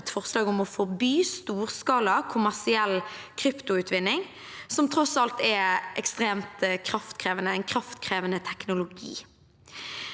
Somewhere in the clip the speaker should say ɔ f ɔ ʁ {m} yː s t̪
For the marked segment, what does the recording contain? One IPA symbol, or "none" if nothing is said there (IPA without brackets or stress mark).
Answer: b